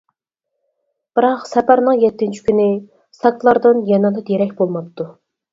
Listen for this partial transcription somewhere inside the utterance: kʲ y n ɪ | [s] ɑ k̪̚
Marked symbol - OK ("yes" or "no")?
yes